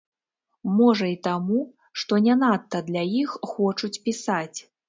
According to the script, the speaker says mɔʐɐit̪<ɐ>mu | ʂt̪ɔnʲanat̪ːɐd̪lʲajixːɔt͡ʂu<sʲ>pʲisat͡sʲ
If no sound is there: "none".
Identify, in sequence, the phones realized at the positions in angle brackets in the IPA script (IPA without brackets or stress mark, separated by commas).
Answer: a, t͡sʲ